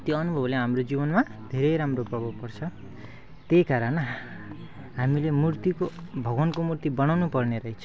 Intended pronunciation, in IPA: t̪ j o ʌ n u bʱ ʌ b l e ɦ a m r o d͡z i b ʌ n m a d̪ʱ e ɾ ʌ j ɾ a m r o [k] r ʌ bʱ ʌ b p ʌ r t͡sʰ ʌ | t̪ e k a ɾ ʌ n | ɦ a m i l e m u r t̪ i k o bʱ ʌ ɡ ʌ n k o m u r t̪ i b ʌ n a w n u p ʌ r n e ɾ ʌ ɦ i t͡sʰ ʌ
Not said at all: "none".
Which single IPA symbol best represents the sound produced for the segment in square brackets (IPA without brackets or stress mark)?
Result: p